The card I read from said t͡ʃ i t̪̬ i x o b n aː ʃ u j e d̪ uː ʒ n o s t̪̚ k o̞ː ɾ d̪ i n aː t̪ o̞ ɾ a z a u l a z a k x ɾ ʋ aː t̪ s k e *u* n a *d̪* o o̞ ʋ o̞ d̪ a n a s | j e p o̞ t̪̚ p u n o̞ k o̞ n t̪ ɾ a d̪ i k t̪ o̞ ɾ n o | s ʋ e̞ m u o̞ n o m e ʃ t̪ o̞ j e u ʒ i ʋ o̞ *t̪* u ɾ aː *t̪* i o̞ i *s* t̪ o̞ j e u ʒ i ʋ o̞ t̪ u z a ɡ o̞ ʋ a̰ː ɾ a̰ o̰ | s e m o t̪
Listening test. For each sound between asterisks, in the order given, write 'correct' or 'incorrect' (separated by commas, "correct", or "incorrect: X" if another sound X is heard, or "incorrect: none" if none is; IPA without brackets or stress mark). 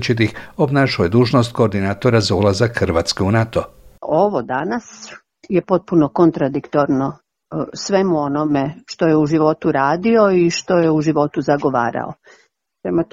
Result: correct, incorrect: t̪, correct, incorrect: d̪, incorrect: ʃ